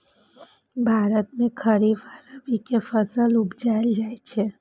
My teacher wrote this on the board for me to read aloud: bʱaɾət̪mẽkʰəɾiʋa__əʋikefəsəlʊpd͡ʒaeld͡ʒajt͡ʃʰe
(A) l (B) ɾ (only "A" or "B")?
B